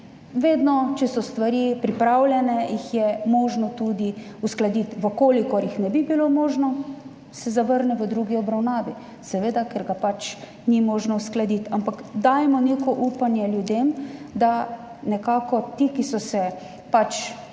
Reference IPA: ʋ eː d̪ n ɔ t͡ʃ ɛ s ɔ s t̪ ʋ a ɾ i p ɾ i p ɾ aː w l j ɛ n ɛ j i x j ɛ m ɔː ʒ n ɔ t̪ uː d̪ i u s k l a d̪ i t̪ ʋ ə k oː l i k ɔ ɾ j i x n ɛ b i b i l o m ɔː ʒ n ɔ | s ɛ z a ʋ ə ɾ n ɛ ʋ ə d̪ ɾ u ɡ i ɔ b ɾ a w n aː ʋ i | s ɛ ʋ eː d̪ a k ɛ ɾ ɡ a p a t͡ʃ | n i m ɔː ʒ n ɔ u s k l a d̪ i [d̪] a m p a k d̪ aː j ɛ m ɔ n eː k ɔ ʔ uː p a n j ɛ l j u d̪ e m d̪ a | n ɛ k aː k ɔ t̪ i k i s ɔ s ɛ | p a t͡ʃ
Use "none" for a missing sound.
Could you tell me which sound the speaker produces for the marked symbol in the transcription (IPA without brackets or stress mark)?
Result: t̪